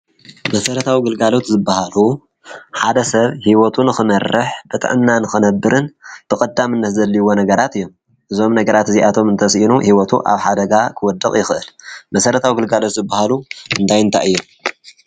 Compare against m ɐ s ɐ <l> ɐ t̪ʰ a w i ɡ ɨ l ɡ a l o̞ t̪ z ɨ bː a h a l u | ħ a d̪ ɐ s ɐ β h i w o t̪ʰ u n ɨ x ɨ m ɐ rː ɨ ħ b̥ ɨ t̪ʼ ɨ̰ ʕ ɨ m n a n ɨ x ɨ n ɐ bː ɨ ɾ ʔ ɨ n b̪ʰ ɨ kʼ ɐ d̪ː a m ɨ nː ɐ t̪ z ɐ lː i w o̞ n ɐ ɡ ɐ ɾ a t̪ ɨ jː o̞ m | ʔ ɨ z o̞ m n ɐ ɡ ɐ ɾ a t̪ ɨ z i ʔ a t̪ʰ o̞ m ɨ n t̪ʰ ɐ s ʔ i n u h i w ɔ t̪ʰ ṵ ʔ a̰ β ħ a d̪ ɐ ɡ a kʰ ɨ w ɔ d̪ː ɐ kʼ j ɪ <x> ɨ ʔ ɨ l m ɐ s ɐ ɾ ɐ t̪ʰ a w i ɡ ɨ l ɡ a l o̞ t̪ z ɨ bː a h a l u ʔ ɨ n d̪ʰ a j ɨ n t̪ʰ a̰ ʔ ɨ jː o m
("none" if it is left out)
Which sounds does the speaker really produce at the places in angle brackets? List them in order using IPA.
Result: ɾ, x

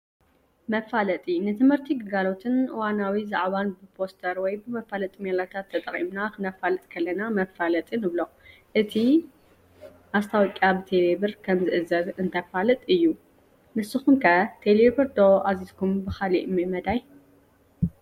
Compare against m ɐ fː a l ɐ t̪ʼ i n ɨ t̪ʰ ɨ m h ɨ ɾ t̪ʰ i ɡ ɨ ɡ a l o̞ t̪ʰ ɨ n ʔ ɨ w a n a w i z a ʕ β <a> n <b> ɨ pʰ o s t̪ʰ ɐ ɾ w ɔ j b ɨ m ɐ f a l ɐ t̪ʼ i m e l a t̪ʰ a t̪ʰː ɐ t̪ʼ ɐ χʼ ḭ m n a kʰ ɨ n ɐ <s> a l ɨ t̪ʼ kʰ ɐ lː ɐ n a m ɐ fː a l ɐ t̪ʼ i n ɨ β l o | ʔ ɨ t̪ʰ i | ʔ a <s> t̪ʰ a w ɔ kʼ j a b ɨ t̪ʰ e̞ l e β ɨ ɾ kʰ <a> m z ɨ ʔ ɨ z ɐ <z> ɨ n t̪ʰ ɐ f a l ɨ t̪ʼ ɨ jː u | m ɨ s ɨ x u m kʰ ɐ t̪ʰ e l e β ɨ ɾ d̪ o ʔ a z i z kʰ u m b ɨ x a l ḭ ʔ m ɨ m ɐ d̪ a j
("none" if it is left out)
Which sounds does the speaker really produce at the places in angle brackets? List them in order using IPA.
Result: a, b, f, s, ɐ, z

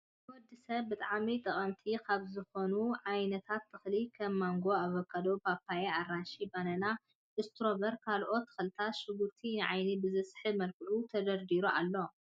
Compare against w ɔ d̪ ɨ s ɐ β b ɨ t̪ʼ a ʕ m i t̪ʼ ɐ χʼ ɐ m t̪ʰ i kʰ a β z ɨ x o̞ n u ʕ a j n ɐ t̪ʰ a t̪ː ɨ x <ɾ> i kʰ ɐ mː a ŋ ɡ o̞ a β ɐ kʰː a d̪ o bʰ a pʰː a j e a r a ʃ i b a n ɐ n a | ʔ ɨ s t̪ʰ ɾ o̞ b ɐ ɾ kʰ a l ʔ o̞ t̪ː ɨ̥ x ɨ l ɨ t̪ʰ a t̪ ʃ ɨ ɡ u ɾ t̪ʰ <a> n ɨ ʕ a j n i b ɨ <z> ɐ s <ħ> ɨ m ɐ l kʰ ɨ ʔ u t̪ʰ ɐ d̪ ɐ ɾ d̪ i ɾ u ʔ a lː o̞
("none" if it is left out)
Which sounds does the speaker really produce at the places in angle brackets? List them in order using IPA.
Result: l, i, z, ħ

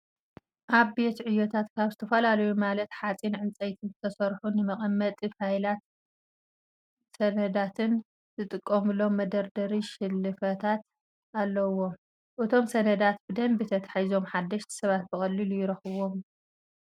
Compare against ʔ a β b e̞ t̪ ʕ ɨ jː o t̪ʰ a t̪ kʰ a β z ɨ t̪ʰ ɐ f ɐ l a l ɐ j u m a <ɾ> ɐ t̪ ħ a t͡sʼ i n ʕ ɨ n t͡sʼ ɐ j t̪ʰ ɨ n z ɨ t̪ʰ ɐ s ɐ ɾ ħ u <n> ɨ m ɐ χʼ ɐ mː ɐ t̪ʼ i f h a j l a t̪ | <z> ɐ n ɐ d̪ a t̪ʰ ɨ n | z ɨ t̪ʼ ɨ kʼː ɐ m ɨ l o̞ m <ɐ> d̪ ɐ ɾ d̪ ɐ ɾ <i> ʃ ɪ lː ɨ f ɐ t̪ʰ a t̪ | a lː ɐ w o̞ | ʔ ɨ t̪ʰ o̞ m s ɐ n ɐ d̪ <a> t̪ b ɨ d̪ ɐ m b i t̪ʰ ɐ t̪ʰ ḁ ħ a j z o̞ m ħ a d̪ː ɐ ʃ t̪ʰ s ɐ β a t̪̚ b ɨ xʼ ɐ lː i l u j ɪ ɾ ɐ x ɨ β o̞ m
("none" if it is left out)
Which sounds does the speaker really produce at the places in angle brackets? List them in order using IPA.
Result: l, n, s, ɐ, i, a

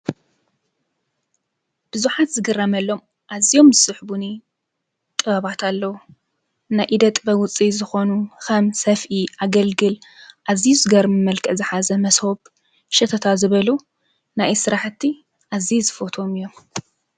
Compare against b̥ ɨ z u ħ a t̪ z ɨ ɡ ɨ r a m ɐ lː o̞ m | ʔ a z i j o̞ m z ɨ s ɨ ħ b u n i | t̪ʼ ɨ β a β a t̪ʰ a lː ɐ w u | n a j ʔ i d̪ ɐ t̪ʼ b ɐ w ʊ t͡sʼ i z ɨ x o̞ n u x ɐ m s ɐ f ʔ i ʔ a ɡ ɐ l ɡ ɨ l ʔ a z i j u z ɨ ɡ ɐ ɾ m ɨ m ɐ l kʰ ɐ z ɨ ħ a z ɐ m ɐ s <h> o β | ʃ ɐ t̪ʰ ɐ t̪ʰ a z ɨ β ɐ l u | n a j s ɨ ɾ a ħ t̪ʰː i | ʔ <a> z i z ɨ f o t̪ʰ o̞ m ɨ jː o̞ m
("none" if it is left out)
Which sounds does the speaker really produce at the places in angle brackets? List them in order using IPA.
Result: h, a

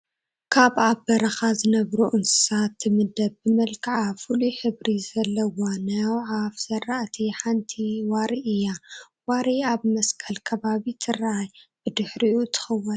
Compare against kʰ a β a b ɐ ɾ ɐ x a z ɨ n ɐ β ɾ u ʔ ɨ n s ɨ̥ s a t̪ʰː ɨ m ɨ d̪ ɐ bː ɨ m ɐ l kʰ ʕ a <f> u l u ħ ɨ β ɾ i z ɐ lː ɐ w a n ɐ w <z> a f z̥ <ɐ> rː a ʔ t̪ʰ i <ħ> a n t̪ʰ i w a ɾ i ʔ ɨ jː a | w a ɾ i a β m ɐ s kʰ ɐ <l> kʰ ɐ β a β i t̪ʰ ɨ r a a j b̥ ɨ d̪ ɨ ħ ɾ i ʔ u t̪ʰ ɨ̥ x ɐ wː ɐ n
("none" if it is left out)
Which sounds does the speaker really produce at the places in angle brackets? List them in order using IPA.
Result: f, ʕ, ɐ, ħ, l

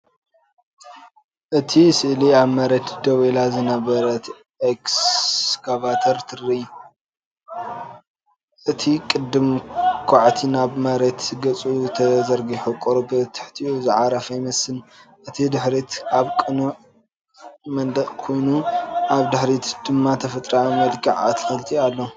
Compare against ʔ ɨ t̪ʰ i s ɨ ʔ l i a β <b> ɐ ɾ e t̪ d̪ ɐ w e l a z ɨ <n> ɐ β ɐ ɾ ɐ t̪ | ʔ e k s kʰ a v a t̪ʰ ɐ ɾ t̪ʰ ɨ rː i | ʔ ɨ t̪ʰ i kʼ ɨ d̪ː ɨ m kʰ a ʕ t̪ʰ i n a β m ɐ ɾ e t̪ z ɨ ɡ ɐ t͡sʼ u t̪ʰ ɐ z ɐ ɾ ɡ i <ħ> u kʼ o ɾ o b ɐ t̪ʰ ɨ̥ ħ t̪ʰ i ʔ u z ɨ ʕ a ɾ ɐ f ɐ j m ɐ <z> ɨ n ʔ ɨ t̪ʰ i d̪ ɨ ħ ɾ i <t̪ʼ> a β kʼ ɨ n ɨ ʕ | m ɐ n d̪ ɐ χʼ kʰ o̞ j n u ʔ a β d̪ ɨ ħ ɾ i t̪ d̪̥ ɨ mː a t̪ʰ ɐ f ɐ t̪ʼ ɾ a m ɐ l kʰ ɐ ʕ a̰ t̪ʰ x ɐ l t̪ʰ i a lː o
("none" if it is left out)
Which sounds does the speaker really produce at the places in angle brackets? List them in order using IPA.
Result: m, n, ħ, s, t̪

